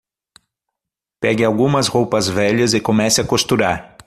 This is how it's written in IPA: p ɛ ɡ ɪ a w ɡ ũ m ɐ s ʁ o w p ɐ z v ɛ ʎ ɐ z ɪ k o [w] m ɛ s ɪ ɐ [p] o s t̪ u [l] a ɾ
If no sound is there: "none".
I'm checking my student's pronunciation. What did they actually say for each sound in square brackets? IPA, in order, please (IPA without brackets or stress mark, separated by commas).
none, k, ɾ